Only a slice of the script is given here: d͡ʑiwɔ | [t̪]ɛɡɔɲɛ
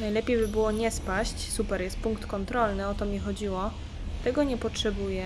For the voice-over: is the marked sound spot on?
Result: yes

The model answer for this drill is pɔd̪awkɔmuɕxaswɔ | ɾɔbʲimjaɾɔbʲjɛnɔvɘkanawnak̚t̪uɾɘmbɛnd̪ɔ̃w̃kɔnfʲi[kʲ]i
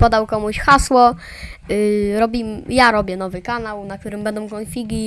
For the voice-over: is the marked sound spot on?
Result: no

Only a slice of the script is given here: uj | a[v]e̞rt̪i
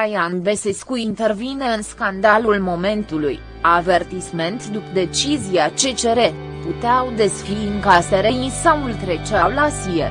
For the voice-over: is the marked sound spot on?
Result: yes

